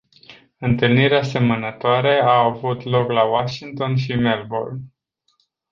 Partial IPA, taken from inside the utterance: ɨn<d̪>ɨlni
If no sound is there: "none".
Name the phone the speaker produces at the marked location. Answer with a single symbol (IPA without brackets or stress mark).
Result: t̪